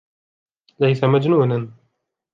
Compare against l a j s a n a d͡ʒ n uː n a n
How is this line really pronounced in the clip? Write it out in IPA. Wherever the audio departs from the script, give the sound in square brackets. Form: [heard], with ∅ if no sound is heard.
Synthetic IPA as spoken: l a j s a [m] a d͡ʒ n uː n a n